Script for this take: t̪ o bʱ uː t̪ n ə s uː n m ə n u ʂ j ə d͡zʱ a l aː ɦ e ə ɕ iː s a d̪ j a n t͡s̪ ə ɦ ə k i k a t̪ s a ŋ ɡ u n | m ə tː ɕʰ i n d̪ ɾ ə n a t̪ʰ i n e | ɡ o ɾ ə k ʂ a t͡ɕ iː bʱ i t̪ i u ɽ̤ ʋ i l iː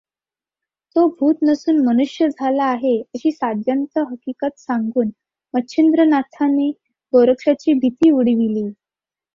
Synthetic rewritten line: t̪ o bʱ uː t̪ n ə s uː n m ə n u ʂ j ə d͡zʱ a l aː ɦ e ə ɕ iː s a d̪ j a n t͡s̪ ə ɦ ə k i k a t̪ s a ŋ ɡ uː n | m ə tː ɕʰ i n d̪ ɾ ə n a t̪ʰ a n e | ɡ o ɾ ə k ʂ a t͡ɕ iː bʱ i t̪ iː u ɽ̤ ʋ i l iː